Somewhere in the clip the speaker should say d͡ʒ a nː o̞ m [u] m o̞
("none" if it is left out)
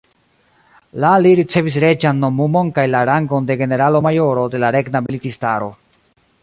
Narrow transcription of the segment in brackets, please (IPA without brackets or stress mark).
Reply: u